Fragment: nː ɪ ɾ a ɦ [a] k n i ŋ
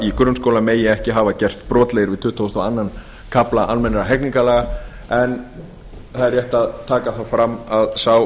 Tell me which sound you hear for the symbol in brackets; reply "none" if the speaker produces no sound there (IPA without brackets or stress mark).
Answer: ɛ